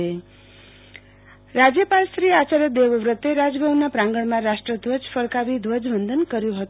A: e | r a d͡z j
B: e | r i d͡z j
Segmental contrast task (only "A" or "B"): A